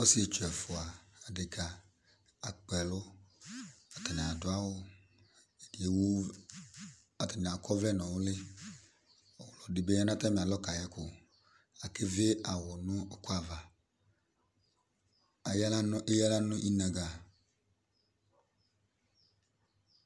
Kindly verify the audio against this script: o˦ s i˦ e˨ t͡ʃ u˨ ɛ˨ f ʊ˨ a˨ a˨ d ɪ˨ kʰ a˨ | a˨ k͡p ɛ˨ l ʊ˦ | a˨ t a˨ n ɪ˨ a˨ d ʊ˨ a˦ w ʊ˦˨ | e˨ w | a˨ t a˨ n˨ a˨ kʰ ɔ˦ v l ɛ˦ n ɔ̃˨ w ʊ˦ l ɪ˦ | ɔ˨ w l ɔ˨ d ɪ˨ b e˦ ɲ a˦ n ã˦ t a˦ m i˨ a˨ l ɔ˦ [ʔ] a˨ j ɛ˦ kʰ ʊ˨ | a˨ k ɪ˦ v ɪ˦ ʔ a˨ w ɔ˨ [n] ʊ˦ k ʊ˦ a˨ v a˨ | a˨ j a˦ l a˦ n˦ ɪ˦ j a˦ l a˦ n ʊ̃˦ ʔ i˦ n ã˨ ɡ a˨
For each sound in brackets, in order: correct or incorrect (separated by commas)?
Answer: incorrect, correct